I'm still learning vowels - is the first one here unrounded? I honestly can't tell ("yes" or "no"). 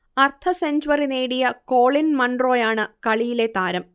yes